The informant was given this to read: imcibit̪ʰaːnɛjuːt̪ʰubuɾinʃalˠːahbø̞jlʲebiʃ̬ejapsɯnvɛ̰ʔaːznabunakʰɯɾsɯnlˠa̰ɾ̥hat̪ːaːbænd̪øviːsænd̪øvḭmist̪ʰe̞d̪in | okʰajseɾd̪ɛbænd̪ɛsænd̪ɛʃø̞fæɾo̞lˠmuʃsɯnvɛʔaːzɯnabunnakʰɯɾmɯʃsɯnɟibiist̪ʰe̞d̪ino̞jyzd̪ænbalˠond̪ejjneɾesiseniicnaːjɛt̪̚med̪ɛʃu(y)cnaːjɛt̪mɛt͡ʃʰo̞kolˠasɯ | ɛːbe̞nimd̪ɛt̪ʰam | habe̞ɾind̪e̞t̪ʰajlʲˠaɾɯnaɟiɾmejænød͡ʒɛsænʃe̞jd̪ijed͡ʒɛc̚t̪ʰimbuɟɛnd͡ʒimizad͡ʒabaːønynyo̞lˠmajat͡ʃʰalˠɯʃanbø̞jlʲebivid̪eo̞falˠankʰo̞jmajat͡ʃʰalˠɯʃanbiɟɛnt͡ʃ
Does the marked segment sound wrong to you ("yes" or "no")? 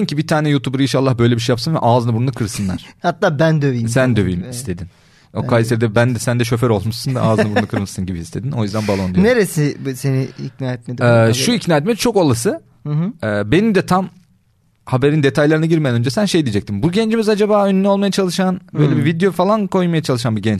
yes